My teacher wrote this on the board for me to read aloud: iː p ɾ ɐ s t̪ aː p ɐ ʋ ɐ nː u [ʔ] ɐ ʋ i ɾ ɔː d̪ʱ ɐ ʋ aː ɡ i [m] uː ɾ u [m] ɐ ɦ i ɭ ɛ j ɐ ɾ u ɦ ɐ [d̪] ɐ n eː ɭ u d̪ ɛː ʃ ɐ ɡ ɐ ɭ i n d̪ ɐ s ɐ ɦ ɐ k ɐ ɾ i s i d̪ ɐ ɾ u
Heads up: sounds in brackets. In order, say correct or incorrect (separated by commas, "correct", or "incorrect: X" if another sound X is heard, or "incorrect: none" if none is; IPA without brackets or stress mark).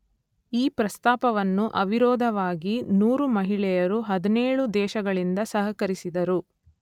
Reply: correct, incorrect: n, correct, correct